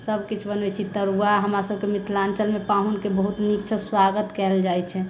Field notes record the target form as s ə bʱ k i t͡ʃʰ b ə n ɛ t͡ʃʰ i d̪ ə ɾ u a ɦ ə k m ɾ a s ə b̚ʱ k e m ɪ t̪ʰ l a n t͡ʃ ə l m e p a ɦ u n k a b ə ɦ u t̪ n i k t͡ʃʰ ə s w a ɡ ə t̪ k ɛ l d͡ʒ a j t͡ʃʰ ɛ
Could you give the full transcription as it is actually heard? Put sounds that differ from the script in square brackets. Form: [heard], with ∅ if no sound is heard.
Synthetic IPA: s ə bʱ k i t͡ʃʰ b ə n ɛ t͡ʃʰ i [t̪] ə ɾ u a ɦ ə [∅] m ɾ a s ə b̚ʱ k e m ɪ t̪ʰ l a n t͡ʃ ə l m e p a ɦ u n k [e] b ə ɦ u t̪ n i k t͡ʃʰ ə s w a ɡ ə t̪ k ɛ l d͡ʒ a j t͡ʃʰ ɛ